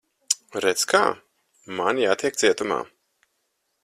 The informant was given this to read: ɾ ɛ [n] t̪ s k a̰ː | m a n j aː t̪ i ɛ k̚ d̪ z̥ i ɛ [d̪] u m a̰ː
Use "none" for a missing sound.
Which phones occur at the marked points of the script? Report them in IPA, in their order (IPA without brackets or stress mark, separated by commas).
none, t̪